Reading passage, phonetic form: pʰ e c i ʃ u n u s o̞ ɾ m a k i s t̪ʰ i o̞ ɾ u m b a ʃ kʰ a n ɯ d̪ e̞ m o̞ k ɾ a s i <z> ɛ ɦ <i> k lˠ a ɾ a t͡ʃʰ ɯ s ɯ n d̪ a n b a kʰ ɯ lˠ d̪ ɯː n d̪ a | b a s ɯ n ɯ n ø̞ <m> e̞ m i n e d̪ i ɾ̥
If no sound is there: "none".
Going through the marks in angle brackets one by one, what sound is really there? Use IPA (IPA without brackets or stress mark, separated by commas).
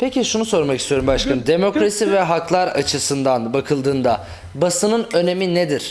v, a, n